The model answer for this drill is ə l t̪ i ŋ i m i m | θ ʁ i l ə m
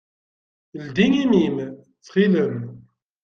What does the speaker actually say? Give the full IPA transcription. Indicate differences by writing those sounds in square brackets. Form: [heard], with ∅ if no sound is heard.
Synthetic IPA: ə l [d̪] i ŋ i m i m | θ [χ] i l ə m